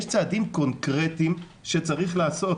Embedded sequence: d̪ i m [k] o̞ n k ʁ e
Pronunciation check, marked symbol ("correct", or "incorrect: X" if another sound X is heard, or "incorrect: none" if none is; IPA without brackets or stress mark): correct